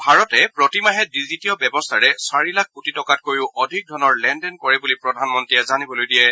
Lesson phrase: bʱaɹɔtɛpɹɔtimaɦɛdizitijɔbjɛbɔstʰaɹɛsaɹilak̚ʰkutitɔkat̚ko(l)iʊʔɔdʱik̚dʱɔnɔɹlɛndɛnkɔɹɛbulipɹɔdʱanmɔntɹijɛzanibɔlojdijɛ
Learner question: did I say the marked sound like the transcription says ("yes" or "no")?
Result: no